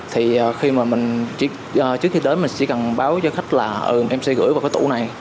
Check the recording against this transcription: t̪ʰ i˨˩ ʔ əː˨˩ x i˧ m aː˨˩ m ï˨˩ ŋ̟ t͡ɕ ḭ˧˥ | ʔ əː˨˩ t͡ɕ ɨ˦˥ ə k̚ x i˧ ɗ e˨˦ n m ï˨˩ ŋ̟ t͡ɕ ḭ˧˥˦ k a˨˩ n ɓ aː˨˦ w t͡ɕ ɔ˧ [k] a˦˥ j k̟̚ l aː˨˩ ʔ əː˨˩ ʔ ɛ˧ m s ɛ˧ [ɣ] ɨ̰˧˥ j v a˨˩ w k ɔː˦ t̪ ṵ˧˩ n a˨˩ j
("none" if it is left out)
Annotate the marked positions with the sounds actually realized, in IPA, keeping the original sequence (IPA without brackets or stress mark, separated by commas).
x, ɣ